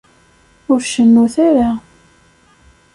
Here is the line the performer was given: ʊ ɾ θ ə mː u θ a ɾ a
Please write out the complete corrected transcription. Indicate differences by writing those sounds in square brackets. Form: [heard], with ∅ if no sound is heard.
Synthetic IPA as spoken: ʊ ɾ [ʃ] ə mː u θ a ɾ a